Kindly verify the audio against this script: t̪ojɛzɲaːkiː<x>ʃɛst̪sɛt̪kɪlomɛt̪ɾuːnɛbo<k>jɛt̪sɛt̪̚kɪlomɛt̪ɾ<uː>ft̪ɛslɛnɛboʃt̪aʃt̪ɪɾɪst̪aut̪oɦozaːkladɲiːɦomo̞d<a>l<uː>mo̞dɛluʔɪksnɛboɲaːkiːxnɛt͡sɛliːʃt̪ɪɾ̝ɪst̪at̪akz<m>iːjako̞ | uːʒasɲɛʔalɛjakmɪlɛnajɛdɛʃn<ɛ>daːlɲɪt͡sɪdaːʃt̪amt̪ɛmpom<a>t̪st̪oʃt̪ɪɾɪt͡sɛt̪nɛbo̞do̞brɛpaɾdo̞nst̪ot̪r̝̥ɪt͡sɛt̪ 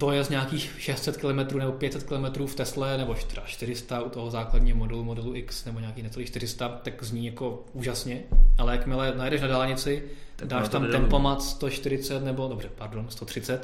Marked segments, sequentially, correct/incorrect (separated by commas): correct, incorrect, correct, incorrect, incorrect, incorrect, incorrect, correct